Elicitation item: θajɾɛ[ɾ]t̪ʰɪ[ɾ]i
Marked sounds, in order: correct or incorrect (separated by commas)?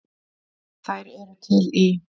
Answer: correct, incorrect